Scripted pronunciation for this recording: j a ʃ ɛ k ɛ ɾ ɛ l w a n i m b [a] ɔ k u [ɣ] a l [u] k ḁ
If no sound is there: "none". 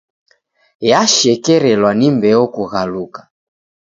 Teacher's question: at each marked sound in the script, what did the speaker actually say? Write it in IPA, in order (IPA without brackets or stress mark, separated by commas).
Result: ɛ, ɣ, u